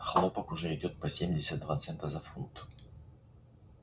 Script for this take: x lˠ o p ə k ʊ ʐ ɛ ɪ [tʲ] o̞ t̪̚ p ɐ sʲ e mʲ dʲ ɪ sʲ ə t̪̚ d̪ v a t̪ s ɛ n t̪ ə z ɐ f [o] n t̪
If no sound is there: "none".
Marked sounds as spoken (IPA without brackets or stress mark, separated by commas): dʲ, u